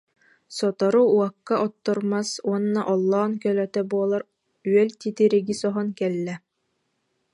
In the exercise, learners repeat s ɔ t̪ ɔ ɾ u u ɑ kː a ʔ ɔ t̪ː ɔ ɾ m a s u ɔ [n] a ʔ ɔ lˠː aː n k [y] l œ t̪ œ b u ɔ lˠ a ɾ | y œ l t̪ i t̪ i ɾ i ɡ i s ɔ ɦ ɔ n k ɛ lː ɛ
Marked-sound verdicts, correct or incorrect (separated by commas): incorrect, incorrect